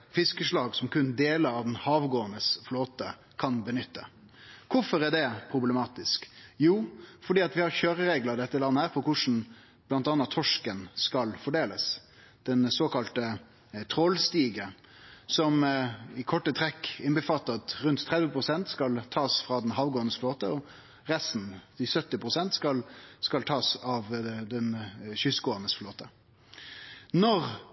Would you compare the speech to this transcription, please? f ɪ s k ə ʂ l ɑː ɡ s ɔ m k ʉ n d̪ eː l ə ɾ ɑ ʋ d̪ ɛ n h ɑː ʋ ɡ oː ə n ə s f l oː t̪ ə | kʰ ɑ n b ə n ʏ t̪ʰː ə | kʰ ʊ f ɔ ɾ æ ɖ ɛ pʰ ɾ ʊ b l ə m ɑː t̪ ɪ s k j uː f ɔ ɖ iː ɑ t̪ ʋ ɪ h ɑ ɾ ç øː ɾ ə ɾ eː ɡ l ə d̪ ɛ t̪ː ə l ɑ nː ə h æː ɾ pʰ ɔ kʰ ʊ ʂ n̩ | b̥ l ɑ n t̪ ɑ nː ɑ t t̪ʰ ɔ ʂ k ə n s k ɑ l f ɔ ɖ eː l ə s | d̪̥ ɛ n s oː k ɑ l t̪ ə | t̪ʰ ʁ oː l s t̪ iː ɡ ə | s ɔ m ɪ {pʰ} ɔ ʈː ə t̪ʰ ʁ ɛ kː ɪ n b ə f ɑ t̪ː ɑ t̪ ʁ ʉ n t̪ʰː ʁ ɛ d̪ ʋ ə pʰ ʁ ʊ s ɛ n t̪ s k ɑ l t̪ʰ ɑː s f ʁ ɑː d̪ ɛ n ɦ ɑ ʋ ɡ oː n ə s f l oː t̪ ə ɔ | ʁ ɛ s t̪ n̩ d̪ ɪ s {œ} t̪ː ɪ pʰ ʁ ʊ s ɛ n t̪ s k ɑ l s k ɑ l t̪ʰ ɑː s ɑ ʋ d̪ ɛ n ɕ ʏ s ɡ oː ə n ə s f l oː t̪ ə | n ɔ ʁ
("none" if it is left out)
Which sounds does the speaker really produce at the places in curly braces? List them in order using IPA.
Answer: kʰ, œ

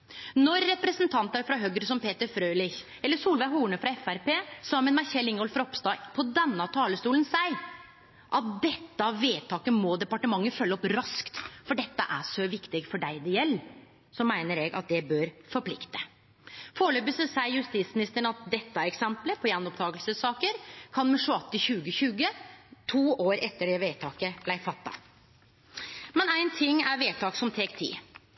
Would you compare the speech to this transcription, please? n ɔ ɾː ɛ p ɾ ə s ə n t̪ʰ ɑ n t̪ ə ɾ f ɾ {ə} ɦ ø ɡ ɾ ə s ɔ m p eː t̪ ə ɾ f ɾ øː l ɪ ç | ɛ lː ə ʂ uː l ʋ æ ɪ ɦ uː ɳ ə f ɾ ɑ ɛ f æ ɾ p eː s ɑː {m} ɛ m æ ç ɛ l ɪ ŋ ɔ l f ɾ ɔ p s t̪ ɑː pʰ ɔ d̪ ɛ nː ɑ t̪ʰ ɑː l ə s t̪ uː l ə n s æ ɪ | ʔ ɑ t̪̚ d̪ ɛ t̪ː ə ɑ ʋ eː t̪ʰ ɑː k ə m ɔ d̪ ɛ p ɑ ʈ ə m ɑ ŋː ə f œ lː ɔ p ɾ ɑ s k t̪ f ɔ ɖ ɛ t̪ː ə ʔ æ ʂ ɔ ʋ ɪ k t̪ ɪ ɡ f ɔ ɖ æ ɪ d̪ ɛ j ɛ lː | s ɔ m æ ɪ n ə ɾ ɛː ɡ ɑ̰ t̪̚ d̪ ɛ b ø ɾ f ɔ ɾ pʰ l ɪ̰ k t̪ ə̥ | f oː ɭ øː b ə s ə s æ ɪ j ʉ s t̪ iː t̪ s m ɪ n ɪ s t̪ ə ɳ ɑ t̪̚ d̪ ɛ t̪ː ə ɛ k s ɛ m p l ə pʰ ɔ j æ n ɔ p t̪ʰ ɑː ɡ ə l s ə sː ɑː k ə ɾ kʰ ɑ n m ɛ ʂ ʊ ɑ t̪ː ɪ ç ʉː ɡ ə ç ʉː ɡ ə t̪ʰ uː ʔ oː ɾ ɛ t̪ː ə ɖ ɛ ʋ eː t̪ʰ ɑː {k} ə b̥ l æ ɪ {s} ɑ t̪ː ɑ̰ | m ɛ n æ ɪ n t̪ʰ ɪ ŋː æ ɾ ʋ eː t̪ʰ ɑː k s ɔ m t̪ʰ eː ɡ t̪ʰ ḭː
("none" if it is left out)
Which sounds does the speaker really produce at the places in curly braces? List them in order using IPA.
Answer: ɑ, m, k, f

